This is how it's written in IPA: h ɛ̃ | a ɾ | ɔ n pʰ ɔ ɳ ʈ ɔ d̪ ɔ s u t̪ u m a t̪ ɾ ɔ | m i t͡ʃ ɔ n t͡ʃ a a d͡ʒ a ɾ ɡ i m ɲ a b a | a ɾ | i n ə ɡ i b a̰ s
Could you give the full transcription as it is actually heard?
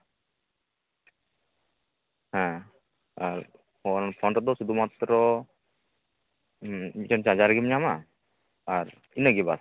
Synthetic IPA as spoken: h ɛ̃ | a ɾ | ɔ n pʰ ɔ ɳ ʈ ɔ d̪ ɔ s u d̪ u m a t̪ ɾ ɔ | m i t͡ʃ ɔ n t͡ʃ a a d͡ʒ a ɾ ɡ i m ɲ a m a | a ɾ | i n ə ɡ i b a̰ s